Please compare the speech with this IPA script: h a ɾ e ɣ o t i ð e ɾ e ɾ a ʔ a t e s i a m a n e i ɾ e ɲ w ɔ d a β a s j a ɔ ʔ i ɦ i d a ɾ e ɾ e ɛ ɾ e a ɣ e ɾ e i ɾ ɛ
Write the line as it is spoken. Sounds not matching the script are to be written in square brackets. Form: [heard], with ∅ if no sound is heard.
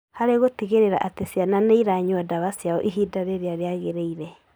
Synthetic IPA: h a ɾ e ɣ o t i [ɣ] e ɾ e ɾ a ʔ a t e s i a [n] a n e i ɾ [a] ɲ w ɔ d a β a s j a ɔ ʔ i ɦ i d a ɾ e ɾ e [a] ɾ e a ɣ e ɾ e i ɾ ɛ